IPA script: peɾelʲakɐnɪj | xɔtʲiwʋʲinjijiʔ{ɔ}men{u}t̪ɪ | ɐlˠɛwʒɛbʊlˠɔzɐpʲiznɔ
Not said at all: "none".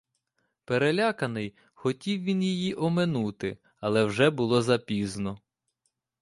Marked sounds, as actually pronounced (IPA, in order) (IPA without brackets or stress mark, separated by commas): ɔ, u